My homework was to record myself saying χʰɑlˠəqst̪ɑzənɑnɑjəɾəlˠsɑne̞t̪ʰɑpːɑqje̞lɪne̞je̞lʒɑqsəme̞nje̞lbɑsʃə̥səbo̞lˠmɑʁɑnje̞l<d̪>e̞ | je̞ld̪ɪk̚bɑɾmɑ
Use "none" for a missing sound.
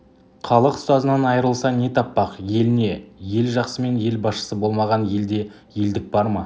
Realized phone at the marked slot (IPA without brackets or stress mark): d̪